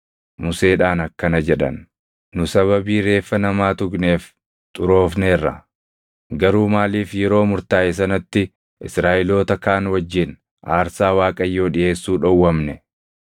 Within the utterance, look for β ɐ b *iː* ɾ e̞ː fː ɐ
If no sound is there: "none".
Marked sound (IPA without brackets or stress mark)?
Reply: iː